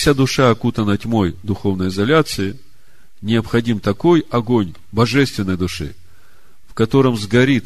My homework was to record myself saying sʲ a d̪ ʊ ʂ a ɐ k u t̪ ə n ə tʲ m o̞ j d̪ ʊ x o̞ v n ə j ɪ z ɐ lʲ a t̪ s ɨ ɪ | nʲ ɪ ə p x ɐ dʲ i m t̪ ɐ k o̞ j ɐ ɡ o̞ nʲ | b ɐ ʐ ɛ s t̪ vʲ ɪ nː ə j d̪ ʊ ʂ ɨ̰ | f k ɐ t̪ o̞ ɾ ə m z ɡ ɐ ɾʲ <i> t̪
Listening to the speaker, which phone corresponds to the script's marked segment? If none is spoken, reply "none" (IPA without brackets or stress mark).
i